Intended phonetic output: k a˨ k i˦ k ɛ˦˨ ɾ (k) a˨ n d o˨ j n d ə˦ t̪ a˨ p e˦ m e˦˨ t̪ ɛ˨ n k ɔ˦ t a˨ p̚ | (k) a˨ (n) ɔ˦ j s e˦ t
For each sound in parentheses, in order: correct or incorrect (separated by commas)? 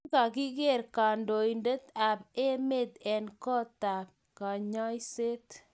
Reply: correct, correct, incorrect